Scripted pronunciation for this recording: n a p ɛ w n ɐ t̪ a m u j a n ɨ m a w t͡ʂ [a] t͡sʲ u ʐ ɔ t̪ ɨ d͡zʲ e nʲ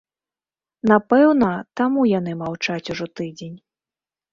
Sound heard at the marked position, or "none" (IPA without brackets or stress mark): a